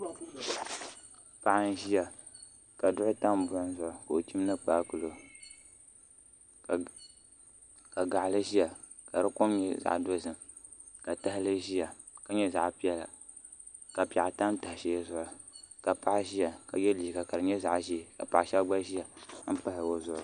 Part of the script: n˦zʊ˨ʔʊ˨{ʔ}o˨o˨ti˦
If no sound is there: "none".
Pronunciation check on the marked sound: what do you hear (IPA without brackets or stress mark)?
k